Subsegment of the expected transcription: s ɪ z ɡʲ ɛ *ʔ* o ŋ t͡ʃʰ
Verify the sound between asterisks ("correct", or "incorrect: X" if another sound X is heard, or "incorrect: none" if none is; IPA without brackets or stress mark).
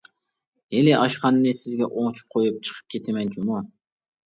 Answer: correct